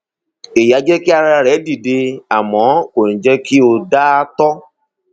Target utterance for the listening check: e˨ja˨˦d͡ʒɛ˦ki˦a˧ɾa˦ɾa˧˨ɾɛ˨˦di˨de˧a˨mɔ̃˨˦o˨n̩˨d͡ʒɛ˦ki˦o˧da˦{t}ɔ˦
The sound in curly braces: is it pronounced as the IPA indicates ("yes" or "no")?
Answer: yes